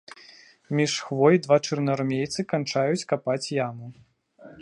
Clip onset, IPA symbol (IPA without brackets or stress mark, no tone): mʲ